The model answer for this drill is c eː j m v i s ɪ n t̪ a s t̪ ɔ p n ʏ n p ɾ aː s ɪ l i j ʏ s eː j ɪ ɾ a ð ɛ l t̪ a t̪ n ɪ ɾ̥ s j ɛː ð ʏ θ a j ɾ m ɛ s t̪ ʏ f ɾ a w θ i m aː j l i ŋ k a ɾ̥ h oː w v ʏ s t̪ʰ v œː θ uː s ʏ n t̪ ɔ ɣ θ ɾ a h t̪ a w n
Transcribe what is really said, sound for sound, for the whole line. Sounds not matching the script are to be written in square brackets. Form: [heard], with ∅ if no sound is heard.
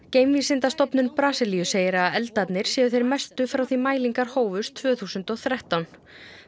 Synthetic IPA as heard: c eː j m v i s ɪ n t̪ a s t̪ ɔ p n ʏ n p ɾ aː s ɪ l i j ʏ s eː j ɪ ɾ a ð ɛ l t̪ a t̪ n ɪ ɾ̥ s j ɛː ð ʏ θ [e] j ɾ m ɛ s t̪ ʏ f ɾ a w θ i m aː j l i ŋ k a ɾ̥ h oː w v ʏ s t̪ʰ v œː θ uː s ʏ n t̪ ɔ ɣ θ ɾ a h t̪ a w n